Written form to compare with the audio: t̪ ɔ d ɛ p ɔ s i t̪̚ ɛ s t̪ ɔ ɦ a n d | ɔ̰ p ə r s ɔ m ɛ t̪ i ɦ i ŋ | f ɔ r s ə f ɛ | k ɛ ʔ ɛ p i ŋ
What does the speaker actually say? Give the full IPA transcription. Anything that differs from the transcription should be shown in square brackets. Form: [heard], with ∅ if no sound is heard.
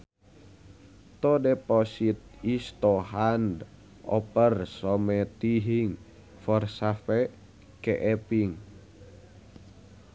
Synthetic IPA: t̪ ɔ d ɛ p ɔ s i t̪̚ [i] s t̪ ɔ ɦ a n d | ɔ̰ p ə r s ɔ m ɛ t̪ i ɦ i ŋ | f ɔ r s [a] f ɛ | k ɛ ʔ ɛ p i ŋ